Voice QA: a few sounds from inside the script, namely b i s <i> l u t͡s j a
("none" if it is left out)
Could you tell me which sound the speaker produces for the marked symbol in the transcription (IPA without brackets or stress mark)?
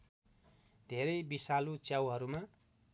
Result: a